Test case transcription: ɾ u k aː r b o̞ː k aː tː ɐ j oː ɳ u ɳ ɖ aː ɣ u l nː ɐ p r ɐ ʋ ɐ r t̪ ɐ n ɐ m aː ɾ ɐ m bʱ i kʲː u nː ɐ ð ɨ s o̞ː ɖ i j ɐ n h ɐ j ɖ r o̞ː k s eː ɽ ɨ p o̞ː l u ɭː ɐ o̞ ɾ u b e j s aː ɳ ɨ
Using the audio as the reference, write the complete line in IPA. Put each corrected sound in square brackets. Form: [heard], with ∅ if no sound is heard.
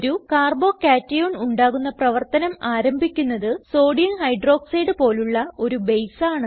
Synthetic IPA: ɾ u k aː r b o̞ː k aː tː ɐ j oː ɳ u ɳ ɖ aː ɣ u [∅] nː ɐ p r ɐ ʋ ɐ r t̪ ɐ n ɐ m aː ɾ ɐ m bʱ i kʲː u nː ɐ ð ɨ s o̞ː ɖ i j ɐ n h ɐ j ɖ r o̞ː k s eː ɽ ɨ p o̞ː l u ɭː ɐ o̞ ɾ u b e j s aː ɳ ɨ